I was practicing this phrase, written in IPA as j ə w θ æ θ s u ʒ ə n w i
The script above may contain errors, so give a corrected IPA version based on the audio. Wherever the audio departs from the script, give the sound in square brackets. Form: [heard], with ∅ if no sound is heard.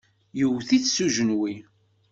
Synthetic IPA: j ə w θ [i] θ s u ʒ ə n w i

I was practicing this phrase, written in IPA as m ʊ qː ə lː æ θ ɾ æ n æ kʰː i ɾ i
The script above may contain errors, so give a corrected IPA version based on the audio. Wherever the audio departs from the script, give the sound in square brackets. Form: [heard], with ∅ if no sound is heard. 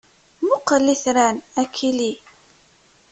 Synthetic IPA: m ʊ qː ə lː [i] θ ɾ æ n æ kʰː i [l] i

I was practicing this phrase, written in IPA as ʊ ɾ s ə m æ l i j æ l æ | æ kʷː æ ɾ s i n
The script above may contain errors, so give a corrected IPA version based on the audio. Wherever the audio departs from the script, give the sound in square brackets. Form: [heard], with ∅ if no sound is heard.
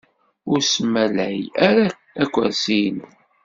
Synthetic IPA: ʊ ɾ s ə m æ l [æ] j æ [ɾ] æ | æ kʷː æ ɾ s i n

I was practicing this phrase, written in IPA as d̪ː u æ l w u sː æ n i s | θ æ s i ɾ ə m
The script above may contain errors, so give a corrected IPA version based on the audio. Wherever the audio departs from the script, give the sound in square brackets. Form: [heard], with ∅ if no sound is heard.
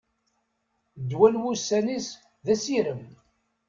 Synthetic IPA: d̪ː [w] æ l w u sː æ n i s | [ð] æ s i ɾ ə m

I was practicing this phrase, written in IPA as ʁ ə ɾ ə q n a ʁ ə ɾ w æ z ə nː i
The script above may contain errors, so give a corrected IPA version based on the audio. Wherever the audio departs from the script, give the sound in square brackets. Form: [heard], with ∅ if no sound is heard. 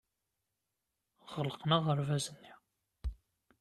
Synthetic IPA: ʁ ə [l] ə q n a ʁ ə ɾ [v] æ z ə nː i

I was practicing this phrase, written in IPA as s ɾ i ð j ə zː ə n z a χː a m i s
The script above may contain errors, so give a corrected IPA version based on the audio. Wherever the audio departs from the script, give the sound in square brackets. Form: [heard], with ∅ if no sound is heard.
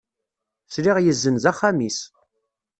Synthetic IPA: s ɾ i [ʁ] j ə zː ə n z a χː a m i s

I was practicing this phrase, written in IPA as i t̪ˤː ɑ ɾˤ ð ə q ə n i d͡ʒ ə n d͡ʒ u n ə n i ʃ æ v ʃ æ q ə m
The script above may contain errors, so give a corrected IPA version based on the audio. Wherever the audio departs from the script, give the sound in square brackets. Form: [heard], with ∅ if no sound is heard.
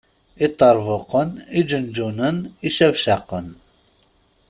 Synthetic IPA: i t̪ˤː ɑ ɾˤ [v] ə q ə n i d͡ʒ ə n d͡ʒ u n ə n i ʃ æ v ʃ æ q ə [n]

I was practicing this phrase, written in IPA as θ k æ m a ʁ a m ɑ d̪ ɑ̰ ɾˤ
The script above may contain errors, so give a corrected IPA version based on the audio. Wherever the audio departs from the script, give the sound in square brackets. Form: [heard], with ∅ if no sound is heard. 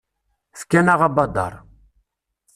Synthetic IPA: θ k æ [n] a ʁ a [b] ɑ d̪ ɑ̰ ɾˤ

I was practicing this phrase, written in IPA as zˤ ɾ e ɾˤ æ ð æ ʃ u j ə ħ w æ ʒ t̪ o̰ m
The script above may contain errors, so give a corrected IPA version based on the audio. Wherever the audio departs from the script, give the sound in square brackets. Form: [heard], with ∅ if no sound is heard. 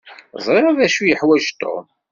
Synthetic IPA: zˤ ɾ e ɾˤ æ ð æ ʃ u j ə ħ w æ ʒ t̪ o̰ m

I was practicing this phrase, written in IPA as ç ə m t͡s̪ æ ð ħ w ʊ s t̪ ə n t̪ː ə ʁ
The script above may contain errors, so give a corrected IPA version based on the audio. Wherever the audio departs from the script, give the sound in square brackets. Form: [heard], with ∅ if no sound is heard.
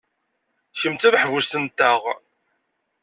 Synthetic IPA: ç ə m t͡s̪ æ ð ħ [v] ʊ s t̪ ə n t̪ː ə ʁ

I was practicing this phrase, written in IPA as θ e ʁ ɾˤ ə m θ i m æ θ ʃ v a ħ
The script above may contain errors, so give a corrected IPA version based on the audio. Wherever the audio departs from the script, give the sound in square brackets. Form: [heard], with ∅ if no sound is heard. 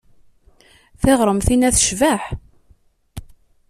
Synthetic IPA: θ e ʁ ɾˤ ə m θ i [n] æ θ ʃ v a ħ

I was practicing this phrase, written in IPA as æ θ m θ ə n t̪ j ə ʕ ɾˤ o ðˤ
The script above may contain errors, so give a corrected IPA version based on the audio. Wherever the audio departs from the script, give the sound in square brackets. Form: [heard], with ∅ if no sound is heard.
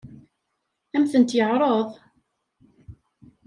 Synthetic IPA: æ [∅] m θ ə n t̪ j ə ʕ ɾˤ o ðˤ

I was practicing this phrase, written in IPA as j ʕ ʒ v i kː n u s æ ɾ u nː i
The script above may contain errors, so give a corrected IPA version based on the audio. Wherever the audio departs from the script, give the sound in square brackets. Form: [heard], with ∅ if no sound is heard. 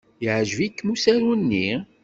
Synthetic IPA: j ʕ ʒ v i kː [m] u s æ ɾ u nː i

